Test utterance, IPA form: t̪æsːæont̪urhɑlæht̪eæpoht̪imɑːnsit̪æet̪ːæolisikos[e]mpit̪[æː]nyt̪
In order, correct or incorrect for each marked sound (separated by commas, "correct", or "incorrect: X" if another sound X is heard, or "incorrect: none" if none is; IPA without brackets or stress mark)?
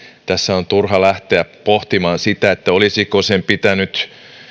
correct, incorrect: æ